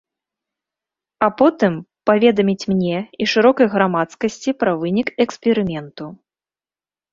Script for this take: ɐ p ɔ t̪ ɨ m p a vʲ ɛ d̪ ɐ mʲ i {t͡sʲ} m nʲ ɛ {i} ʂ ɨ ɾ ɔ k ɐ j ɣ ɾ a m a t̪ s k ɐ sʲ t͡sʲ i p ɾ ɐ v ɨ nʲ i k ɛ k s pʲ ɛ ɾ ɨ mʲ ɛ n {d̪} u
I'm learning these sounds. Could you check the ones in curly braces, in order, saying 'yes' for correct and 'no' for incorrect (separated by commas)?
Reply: yes, yes, no